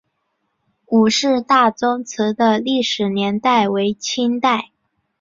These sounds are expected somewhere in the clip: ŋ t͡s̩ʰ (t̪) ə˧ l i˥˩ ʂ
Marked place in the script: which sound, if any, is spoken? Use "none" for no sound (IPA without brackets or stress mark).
d̪